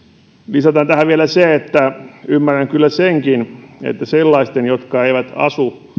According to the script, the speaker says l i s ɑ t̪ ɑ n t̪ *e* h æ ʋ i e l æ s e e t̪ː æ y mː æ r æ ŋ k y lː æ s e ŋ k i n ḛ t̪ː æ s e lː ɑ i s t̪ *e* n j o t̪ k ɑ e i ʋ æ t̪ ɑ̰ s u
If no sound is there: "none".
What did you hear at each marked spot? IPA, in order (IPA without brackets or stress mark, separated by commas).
æ, e